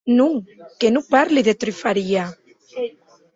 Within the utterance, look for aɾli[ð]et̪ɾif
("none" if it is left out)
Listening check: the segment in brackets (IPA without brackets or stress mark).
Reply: ð